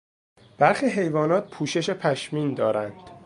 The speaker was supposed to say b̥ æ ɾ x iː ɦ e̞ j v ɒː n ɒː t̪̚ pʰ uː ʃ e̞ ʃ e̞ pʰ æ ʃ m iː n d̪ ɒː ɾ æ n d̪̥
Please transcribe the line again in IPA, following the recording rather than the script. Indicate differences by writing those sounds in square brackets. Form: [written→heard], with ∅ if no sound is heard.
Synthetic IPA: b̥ æ ɾ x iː ɦ e̞ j v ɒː n ɒː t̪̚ pʰ uː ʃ e̞ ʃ e̞ pʰ æ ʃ m iː n d̪ ɒː ɾ æ n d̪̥